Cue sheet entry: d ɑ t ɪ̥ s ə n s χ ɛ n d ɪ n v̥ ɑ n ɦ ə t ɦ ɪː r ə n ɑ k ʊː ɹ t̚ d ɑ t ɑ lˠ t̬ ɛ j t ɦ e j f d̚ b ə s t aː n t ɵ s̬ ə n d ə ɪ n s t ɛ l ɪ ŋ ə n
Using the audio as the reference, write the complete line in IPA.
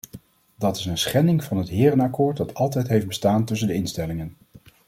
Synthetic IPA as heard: d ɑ t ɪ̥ s ə n s χ ɛ n d ɪ ŋ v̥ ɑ n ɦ ə t ɦ ɪː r ə n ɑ k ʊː ɹ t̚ d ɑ t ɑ lˠ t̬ ɛ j t ɦ e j f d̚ b ə s t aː n t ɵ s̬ ə n d ə ɪ n s t ɛ l ɪ ŋ ə n